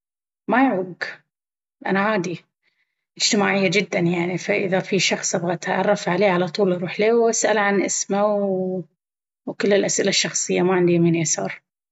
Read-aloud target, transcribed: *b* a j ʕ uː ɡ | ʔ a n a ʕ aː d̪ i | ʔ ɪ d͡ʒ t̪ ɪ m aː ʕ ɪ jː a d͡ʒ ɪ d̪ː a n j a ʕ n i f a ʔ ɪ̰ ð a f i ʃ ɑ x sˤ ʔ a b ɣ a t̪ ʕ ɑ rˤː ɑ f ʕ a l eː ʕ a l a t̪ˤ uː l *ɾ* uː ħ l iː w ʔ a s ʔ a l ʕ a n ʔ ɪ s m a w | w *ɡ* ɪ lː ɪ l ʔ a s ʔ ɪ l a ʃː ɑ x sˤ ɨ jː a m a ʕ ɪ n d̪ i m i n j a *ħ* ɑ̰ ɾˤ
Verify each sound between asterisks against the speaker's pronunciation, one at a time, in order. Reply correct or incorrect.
incorrect: m, correct, incorrect: k, incorrect: s

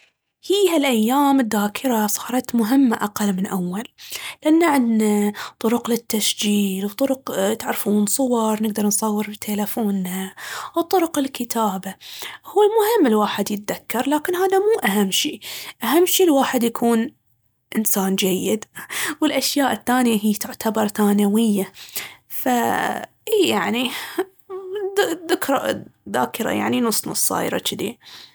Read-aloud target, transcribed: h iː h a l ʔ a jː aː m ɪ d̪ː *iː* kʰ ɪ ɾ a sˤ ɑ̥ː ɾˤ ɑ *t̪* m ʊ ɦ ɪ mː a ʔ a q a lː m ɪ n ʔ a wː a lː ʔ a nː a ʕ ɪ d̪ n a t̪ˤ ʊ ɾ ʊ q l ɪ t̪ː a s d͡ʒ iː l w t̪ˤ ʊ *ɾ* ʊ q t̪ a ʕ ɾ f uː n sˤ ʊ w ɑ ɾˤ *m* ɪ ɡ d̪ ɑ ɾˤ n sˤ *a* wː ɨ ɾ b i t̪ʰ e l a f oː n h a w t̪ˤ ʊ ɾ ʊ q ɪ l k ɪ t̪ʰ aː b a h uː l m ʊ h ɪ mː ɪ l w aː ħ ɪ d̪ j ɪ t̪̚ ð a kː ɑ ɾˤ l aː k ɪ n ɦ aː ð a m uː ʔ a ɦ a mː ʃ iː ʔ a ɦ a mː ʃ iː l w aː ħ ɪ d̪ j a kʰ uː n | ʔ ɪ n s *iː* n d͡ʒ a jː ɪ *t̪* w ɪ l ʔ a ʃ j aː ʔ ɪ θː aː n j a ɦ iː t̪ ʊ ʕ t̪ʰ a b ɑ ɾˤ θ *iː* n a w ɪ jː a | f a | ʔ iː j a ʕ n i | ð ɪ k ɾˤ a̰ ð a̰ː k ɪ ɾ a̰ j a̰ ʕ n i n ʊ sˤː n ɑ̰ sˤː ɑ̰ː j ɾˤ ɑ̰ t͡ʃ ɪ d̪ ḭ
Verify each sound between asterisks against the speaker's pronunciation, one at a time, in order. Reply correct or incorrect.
incorrect: aː, correct, correct, incorrect: n, incorrect: ɑ, incorrect: aː, incorrect: d̪, incorrect: aː

